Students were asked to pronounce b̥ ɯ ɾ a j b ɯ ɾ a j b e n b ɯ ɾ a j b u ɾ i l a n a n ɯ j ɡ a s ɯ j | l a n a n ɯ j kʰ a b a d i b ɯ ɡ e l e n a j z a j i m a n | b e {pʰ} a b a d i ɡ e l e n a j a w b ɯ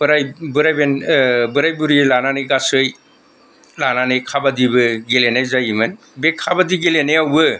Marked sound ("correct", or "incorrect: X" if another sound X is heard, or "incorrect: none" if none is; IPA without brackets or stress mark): incorrect: kʰ